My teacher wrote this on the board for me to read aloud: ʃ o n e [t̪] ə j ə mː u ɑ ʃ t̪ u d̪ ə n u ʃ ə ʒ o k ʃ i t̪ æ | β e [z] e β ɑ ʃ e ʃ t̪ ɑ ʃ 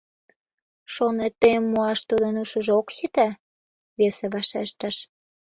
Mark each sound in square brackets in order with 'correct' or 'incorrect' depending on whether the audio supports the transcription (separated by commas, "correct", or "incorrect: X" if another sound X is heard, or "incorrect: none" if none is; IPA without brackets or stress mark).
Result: correct, incorrect: s